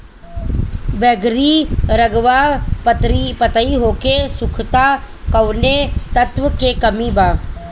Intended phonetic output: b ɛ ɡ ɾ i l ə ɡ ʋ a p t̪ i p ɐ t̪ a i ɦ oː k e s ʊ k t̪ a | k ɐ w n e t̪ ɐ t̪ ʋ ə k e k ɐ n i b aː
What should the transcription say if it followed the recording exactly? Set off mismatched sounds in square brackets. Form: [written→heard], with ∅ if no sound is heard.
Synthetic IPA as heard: b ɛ ɡ ɾ i [l→ɾ] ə ɡ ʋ a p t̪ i p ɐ t̪ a i ɦ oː k e s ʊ [k→kʰ] t̪ a | k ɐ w n e t̪ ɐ t̪ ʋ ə k e k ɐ [n→m] i b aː